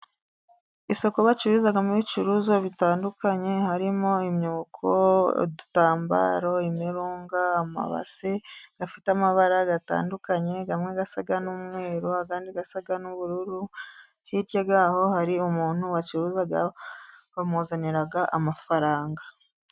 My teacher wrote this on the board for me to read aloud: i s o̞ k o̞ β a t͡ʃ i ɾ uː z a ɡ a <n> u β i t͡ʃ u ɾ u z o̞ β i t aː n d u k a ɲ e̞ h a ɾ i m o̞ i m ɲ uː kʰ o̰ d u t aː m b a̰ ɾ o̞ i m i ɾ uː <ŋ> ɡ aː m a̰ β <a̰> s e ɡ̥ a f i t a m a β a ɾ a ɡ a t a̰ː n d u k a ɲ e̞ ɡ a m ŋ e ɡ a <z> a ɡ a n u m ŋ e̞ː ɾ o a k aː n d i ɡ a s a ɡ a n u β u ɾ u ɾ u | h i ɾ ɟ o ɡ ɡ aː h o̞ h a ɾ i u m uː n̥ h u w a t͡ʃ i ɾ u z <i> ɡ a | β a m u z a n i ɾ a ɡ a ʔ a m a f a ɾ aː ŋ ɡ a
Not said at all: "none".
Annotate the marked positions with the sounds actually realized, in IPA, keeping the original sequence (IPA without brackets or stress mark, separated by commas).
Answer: m, ŋ, a̰, s, a